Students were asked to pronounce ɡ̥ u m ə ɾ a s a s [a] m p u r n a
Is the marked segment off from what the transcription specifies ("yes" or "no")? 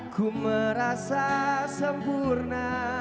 yes